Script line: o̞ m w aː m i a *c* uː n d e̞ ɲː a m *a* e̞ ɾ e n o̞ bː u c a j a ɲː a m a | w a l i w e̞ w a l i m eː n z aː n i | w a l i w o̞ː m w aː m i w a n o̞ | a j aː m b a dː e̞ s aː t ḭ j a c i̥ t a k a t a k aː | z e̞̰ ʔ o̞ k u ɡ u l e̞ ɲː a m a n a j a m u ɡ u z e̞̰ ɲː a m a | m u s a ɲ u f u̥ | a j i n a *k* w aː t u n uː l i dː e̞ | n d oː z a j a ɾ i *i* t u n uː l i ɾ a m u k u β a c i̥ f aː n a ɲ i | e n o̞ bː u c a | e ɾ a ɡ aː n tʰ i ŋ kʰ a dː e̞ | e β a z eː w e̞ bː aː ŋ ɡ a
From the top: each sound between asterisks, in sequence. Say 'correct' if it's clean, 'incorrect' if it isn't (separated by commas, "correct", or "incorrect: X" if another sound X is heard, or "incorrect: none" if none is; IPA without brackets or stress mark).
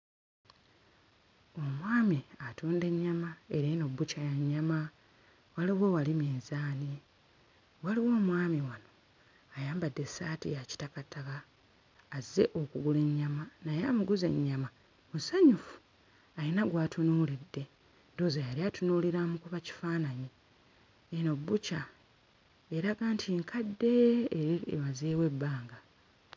incorrect: t, correct, incorrect: ɡ, incorrect: a